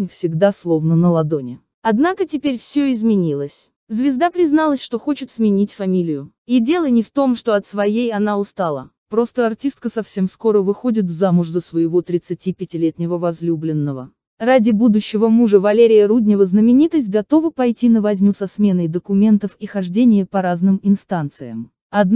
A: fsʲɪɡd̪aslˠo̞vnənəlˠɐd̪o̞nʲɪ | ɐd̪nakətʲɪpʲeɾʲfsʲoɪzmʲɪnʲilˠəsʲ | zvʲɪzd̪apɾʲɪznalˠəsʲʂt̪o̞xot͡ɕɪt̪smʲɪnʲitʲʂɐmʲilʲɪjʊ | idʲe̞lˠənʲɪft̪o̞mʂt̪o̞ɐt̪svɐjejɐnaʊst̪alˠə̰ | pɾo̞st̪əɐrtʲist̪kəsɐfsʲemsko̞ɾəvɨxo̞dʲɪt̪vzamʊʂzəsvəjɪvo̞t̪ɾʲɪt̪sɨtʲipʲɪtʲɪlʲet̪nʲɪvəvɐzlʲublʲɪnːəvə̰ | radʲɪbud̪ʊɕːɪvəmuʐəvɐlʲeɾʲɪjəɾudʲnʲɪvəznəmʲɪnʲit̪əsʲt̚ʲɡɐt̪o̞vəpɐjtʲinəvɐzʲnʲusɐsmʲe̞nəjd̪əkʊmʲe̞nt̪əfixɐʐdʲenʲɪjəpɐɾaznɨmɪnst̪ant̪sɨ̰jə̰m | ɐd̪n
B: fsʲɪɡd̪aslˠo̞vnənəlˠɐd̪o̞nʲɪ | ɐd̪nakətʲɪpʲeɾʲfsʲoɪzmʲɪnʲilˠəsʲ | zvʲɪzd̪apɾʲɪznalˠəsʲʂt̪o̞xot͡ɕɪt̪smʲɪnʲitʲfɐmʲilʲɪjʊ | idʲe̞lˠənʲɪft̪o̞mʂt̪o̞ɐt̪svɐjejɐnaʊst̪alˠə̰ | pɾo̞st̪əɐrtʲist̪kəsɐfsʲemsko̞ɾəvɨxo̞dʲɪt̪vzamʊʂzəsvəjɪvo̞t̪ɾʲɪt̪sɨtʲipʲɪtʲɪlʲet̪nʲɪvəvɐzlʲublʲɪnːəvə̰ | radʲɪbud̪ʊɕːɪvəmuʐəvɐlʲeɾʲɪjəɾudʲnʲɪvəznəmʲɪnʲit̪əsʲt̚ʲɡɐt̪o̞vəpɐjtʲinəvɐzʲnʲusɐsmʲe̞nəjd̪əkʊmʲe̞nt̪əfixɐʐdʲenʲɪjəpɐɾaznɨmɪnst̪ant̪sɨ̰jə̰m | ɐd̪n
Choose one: B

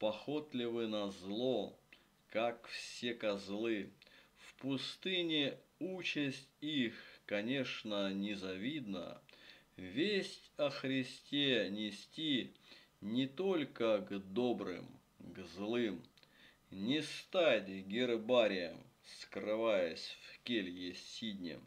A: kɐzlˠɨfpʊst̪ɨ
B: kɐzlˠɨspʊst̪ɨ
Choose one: A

